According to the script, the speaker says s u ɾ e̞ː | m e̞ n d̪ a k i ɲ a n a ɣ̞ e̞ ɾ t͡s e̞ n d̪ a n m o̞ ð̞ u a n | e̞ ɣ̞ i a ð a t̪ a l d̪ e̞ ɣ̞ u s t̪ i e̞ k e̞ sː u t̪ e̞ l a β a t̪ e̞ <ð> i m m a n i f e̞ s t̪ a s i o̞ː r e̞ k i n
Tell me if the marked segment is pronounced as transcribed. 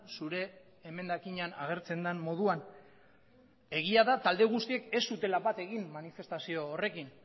no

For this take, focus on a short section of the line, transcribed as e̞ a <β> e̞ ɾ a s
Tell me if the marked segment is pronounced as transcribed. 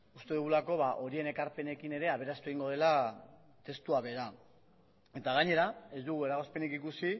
yes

